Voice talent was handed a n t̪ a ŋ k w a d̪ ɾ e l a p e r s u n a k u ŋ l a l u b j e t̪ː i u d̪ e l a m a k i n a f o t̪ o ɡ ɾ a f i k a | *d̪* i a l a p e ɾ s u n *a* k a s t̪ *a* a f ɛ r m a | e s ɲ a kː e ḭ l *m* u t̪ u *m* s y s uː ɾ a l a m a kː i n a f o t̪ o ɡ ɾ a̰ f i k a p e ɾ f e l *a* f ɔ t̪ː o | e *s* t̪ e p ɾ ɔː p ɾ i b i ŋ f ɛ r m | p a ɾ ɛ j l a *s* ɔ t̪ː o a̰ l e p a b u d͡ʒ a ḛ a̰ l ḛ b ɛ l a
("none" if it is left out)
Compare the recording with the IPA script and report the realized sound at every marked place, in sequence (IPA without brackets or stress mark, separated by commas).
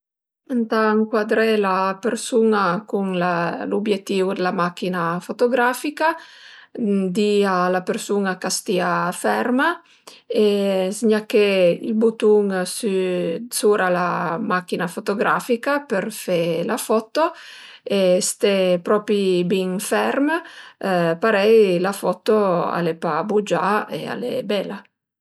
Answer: d̪, a, i, b, ŋ, a, s, f